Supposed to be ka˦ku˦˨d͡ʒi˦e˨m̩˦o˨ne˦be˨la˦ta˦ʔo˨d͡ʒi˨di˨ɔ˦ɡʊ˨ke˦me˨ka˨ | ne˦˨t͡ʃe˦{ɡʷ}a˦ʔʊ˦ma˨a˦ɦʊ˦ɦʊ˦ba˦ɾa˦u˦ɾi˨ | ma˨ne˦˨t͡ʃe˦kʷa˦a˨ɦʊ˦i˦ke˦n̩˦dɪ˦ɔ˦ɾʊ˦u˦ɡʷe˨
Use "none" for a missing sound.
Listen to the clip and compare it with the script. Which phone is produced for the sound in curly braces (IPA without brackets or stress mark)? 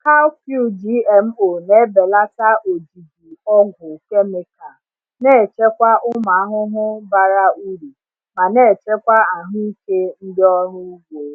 kʷ